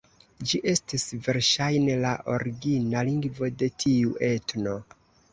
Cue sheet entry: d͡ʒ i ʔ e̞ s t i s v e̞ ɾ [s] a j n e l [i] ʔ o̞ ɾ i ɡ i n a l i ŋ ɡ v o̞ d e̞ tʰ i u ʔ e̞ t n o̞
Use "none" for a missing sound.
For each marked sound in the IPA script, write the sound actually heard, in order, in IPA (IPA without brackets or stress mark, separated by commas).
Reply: ʃ, a